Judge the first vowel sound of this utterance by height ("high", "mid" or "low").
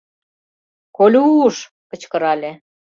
mid